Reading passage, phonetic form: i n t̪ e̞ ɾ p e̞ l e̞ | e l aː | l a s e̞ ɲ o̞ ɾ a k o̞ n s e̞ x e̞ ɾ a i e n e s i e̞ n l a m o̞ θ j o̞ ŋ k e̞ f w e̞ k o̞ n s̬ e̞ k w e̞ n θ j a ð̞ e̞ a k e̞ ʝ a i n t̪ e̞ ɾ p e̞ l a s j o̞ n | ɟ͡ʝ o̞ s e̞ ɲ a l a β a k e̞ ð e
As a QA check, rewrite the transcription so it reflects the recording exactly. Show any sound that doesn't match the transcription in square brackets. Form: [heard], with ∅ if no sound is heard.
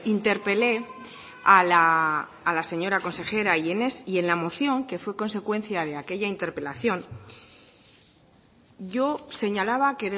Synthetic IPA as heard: i n t̪ e̞ ɾ p e̞ l e̞ | [a] l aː | l a s e̞ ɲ o̞ ɾ a k o̞ n s e̞ x e̞ ɾ a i e n e s i e̞ n l a m o̞ θ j o̞ ŋ k e̞ f w e̞ k o̞ n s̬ e̞ k w e̞ n θ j a ð̞ e̞ a k e̞ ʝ a i n t̪ e̞ ɾ p e̞ l a [θ] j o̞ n | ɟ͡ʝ o̞ s e̞ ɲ a l a β a k e̞ ð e